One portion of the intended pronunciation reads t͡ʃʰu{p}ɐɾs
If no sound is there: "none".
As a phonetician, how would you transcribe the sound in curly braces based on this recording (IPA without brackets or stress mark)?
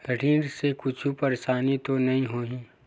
p